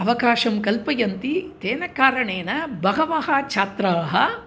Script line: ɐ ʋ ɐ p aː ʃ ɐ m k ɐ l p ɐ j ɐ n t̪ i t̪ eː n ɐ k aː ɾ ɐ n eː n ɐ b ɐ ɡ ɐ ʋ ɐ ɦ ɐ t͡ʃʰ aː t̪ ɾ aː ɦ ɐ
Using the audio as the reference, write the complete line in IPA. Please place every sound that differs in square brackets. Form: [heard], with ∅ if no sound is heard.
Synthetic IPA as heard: ɐ ʋ ɐ [k] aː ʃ ɐ m k ɐ l p ɐ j ɐ n t̪ i t̪ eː n ɐ k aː ɾ ɐ [ɳ] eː n ɐ b ɐ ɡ ɐ ʋ ɐ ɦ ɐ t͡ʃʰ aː t̪ ɾ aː ɦ ɐ